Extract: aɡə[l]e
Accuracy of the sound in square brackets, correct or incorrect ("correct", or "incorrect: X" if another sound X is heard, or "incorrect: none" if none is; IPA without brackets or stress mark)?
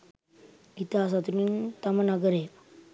incorrect: ɾ